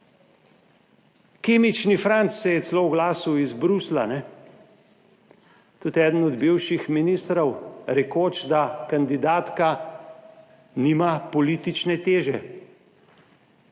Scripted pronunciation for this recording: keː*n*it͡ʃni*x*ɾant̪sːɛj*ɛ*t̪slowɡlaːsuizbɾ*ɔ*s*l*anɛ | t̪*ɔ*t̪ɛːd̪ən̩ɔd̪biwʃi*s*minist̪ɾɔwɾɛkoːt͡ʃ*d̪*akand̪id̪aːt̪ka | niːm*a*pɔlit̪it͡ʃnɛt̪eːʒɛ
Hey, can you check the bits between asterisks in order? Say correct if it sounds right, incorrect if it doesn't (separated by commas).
incorrect, incorrect, correct, incorrect, correct, incorrect, incorrect, correct, correct